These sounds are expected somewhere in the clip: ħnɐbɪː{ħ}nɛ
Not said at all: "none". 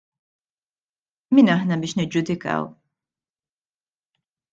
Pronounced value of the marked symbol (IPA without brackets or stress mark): ʃ